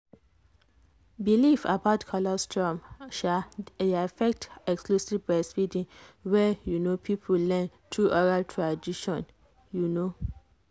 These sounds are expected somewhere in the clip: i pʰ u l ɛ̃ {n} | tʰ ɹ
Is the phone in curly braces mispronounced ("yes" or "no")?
no